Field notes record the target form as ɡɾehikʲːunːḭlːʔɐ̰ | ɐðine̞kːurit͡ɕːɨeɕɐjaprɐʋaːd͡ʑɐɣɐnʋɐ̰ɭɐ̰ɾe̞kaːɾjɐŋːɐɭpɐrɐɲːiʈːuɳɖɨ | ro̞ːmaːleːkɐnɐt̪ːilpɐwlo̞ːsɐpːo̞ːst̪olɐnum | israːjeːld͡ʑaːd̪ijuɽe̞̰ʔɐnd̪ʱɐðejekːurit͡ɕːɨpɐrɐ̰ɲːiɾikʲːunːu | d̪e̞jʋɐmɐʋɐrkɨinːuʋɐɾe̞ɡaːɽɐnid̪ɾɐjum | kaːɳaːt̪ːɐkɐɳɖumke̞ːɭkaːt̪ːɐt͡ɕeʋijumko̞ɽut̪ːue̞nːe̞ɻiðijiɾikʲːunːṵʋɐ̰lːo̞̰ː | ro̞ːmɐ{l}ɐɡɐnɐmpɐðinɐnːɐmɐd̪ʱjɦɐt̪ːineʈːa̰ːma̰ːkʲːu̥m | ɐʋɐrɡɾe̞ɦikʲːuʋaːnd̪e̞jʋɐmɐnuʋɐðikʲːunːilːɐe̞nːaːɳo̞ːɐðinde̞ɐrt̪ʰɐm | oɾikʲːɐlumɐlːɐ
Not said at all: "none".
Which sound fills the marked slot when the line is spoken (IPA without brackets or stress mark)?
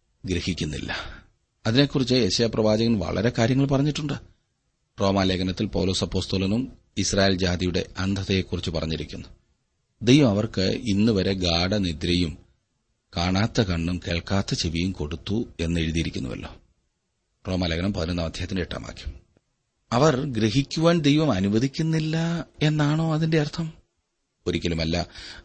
l